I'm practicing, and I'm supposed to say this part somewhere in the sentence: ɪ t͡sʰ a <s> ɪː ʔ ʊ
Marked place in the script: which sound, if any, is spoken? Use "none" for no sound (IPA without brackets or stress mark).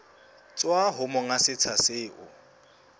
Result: s